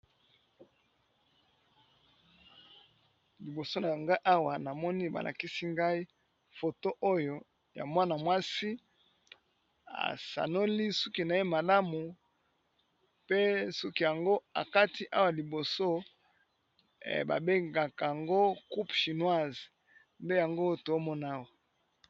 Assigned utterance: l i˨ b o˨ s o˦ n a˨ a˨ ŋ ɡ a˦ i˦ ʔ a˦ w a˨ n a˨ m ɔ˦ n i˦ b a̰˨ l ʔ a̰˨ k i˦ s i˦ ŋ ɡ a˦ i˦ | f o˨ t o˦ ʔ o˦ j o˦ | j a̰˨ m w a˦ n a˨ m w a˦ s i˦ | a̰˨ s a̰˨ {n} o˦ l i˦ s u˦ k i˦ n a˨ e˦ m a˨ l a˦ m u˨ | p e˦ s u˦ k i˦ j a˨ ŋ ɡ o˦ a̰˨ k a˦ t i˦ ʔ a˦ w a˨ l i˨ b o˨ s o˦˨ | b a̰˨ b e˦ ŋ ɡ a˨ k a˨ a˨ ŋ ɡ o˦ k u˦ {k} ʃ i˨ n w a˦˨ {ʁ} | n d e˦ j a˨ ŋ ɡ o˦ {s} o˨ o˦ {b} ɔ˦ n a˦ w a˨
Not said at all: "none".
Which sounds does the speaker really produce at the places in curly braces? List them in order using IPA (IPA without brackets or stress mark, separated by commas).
n, p, z, t, m